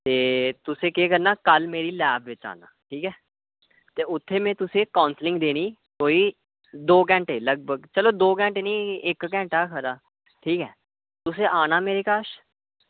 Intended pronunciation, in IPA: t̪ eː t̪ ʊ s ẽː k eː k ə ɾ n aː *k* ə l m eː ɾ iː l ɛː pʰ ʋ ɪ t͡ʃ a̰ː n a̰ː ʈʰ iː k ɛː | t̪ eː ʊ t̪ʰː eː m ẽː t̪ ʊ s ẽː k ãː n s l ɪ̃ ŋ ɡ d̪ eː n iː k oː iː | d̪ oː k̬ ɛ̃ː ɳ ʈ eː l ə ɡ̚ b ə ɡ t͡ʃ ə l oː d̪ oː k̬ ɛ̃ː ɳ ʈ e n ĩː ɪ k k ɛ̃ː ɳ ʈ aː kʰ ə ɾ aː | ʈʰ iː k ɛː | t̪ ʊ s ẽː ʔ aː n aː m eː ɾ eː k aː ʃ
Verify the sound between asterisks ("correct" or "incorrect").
correct